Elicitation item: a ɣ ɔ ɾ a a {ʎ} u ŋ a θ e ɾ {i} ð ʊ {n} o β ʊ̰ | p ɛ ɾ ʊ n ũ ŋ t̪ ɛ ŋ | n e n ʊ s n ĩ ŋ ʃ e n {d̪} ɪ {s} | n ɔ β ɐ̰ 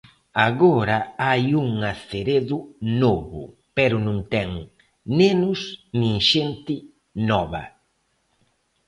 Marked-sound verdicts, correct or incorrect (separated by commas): incorrect, incorrect, correct, incorrect, incorrect